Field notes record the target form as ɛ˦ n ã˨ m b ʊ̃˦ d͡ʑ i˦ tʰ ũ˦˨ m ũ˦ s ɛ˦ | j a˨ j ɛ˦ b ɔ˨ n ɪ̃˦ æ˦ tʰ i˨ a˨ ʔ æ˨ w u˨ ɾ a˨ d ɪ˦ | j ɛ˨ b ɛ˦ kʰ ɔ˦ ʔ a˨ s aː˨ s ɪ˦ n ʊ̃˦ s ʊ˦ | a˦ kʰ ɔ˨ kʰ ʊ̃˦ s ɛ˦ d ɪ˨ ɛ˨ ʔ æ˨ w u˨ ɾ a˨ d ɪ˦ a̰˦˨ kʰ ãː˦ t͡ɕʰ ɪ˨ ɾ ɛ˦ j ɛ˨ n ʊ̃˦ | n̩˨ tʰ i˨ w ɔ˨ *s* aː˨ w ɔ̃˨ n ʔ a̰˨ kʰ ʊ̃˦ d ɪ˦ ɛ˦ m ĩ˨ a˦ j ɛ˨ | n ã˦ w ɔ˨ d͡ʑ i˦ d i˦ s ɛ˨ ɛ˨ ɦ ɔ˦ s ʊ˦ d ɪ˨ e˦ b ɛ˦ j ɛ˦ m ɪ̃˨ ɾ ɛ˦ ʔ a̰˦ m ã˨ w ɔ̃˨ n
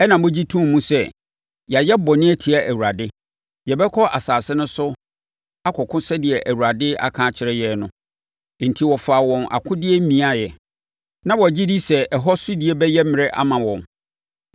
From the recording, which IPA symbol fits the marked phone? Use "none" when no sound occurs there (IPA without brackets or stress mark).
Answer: f